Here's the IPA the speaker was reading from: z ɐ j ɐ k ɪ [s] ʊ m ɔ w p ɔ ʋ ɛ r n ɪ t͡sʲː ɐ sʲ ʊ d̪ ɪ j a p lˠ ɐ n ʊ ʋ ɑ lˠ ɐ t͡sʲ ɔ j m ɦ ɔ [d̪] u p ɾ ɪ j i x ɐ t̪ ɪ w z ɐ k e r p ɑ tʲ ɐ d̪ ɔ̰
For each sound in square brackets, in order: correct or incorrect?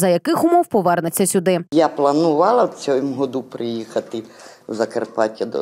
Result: incorrect: x, correct

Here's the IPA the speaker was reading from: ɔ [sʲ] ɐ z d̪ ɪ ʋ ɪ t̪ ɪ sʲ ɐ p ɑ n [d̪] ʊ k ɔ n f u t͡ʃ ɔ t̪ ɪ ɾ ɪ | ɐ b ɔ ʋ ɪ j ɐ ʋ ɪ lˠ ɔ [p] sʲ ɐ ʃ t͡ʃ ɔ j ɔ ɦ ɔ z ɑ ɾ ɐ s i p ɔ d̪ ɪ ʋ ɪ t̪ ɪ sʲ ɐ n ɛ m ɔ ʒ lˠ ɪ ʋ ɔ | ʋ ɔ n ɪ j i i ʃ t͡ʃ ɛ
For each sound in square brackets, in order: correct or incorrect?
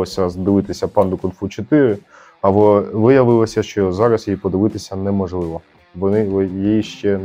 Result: correct, correct, incorrect: none

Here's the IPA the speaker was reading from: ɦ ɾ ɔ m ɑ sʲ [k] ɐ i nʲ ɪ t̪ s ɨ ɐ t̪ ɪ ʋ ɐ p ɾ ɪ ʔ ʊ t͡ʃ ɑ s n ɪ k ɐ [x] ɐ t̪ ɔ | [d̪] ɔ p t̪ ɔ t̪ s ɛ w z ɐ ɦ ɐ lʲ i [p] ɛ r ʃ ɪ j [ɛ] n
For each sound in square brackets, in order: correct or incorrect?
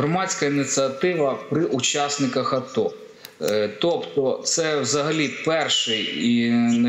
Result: correct, correct, incorrect: t̪, correct, incorrect: i

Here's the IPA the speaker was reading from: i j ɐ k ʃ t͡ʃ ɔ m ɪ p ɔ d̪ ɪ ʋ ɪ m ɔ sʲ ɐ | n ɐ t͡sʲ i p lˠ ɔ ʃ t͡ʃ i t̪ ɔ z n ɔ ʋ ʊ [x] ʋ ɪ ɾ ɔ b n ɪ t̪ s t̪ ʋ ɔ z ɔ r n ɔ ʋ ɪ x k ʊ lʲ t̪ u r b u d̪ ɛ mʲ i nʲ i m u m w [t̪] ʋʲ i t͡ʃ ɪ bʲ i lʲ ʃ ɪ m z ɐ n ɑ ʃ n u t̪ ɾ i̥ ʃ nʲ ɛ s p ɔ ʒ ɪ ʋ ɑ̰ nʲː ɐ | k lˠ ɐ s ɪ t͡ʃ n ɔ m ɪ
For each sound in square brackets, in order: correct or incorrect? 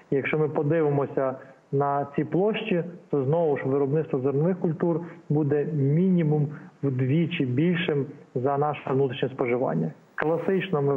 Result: incorrect: ʃ, incorrect: d̪

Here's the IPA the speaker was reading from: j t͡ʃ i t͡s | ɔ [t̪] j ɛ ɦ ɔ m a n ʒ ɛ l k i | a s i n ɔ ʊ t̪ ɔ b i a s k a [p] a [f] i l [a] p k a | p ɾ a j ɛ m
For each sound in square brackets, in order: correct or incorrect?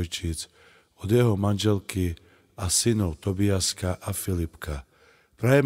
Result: incorrect: d̪, incorrect: ʔ, correct, incorrect: i

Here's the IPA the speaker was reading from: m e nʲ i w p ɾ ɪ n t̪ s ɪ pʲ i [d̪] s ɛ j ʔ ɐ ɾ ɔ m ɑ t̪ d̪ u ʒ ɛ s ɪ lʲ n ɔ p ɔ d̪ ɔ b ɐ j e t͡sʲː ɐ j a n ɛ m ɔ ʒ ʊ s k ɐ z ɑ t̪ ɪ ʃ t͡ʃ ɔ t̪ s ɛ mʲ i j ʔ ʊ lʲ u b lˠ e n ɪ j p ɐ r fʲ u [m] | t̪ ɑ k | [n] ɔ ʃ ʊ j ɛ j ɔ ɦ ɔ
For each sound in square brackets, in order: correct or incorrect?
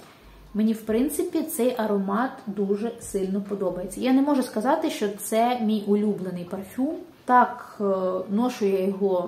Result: incorrect: t̪, correct, correct

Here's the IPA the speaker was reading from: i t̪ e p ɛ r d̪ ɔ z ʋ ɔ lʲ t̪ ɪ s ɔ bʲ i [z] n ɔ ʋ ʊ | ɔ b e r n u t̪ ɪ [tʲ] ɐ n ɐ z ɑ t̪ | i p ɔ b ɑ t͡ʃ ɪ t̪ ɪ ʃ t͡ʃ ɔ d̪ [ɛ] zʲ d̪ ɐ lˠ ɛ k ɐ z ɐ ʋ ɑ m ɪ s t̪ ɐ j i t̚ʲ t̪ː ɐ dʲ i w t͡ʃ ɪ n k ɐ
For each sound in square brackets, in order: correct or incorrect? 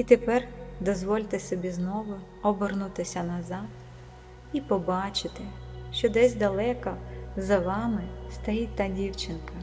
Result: correct, incorrect: sʲ, correct

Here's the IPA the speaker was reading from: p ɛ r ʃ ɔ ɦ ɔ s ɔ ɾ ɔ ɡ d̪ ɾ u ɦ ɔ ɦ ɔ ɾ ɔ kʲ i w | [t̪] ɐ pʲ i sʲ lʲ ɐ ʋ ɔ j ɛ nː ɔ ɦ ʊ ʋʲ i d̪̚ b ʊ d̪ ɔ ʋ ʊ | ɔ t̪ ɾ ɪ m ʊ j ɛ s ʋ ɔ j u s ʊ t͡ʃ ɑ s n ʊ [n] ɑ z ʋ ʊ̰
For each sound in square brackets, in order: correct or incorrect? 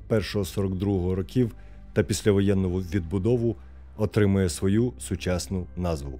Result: correct, correct

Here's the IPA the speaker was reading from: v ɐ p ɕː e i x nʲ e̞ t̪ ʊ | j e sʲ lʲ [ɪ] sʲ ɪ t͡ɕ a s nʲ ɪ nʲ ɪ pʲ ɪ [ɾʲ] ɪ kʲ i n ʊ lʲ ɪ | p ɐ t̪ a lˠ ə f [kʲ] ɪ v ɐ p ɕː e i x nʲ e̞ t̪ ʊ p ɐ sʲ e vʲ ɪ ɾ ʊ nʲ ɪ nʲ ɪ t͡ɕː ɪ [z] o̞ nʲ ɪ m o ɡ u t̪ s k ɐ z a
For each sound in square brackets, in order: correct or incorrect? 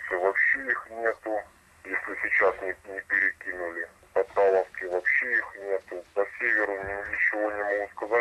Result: correct, correct, correct, incorrect: v

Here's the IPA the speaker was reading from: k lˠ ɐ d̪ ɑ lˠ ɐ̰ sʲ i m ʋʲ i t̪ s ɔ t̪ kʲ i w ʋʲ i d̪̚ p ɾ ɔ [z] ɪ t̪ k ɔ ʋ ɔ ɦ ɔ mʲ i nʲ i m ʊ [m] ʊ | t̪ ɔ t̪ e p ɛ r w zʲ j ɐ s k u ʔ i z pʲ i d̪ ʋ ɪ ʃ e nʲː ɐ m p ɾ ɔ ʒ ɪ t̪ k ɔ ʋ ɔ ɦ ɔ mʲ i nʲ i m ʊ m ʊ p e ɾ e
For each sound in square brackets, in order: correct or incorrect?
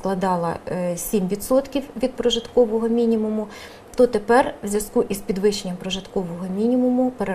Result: incorrect: ʒ, correct

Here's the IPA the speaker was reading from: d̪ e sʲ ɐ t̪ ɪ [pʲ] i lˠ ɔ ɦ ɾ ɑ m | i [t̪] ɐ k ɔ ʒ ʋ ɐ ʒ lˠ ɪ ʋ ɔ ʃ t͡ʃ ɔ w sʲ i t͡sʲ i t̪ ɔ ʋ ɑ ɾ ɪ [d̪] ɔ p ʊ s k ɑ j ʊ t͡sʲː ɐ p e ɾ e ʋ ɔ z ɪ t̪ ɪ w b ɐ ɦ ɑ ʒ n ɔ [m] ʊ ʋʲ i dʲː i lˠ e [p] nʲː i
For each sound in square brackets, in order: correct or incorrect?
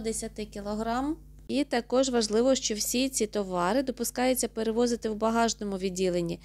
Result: incorrect: kʲ, correct, correct, correct, incorrect: none

